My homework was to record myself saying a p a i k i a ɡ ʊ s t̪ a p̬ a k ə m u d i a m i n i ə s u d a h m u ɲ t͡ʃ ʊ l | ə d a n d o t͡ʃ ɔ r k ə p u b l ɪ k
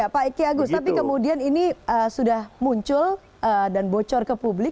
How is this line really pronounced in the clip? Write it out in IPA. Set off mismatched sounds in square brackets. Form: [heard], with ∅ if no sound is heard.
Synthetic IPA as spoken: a p a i k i a ɡ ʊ s t̪ a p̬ [i] k ə m u d i a [n] i n i ə s u d a h m u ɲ t͡ʃ ʊ l | ə d a n [b] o t͡ʃ ɔ r k ə p u b l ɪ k